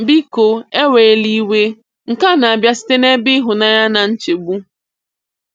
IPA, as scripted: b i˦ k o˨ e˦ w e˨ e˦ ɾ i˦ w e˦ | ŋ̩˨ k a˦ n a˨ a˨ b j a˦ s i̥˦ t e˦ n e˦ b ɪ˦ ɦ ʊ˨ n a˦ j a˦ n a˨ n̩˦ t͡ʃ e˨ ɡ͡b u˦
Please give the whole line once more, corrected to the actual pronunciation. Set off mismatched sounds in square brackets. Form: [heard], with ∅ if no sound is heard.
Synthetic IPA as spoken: b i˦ k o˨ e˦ w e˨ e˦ [l] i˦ w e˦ | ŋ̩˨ k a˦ n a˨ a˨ b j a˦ s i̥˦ t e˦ n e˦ b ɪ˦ ɦ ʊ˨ n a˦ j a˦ n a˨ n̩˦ t͡ʃ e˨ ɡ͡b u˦